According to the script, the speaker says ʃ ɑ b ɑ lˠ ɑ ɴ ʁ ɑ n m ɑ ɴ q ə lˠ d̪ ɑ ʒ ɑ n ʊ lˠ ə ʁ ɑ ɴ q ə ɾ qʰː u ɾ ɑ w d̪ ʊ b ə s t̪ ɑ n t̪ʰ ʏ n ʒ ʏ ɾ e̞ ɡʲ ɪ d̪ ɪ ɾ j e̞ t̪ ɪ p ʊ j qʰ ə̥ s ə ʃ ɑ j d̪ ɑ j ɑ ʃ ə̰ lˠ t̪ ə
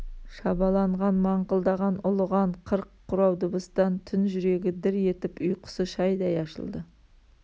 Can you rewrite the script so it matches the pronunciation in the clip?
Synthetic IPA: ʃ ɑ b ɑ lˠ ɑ ɴ ʁ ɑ n m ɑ ɴ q ə lˠ d̪ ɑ ʁ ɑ n ʊ lˠ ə ʁ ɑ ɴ qʰ ə ɾ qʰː ʊ ɾ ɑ w d̪ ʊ b ə s t̪ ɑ n t̪ʰ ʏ n ʒ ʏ ɾ e̞ ɡʲ ɪ d̪ ɪ ɾ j e̞ t̪ ɪ p ʊ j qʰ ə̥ s ə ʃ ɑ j d̪ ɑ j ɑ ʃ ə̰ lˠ d̪ ə